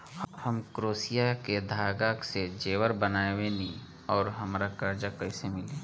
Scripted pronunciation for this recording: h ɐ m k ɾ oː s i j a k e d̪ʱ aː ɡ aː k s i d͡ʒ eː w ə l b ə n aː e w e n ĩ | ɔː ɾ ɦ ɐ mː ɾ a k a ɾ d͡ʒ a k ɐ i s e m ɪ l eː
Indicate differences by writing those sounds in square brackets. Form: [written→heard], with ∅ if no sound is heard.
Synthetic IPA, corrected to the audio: h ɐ m k ɾ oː s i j a k e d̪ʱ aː ɡ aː k s [i→e] d͡ʒ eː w ə [l→ɾ] b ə n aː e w e n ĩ | ɔː ɾ ɦ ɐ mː ɾ a k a ɾ d͡ʒ a k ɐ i s e m ɪ l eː